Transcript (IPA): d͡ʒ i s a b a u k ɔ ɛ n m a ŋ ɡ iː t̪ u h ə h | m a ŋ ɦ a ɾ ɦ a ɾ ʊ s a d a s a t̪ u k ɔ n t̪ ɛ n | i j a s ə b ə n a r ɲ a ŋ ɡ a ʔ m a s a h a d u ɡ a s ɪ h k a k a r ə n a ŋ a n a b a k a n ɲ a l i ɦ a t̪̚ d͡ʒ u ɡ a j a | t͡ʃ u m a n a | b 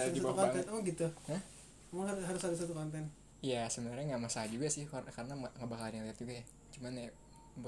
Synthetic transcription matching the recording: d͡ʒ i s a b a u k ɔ ɛ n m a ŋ ɡ i t̪ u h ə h | m a ŋ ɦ a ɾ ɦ a ɾ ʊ s a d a s a t̪ u k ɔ n t̪ ɛ n | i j a s ə b ə n a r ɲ a ŋ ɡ a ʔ m a s a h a d͡ʒ u ɡ a s ɪ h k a k a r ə n a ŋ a ŋ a b a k a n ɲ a l i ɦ a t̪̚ d͡ʒ u ɡ a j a | t͡ʃ u m a n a | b